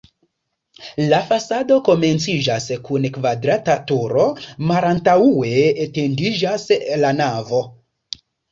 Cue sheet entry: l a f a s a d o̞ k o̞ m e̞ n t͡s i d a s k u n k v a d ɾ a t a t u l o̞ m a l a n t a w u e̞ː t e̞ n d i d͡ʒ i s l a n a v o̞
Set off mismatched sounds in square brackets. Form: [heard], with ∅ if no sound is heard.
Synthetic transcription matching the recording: l a f a s a d o̞ k o̞ m e̞ n t͡s i [d͡ʒ] a s k u n k v a d ɾ a t a t u [ɾ] o̞ m a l a n t a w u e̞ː t e̞ n d i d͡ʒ [a] s l a n a v o̞